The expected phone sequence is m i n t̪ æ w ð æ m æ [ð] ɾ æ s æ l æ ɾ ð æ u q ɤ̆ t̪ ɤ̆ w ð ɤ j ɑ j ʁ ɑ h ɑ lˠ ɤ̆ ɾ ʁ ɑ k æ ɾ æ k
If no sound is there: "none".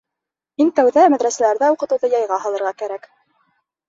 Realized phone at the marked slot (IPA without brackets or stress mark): ð